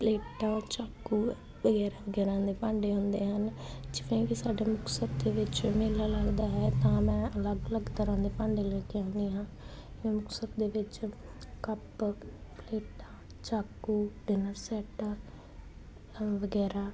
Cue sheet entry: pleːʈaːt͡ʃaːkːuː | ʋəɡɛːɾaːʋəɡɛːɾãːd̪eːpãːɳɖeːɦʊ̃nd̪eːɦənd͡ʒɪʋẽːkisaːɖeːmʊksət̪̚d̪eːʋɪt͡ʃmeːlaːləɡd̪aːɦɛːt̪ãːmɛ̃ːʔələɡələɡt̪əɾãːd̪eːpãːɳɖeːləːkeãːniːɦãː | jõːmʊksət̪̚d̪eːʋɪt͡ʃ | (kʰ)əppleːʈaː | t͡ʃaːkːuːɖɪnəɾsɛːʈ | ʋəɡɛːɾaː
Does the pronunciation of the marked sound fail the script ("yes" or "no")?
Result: yes